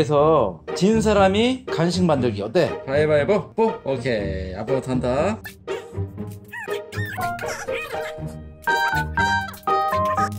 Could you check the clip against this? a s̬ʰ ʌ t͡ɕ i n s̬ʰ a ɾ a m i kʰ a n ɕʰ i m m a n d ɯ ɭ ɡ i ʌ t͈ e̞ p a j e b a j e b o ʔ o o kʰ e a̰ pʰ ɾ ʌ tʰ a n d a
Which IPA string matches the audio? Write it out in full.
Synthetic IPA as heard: e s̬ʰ ʌ t͡ɕ i n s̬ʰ a ɾ a m i k a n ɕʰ i ŋ m a n d ɯ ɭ ɡ i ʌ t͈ e̞ p a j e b a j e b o p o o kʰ e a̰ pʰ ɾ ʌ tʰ a n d a